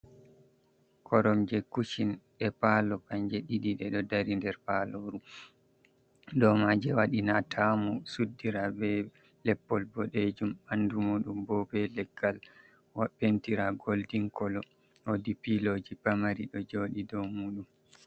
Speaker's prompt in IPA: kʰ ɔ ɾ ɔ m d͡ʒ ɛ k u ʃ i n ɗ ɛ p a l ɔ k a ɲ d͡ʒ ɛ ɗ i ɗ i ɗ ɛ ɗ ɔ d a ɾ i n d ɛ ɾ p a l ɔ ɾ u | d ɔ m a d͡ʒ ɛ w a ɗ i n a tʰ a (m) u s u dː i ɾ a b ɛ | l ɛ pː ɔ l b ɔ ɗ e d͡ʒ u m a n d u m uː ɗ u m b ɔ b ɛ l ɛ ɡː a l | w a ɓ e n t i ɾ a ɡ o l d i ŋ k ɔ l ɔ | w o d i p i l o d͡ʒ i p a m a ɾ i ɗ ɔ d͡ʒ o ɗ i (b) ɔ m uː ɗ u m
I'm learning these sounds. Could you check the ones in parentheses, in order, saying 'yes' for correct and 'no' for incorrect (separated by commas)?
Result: yes, no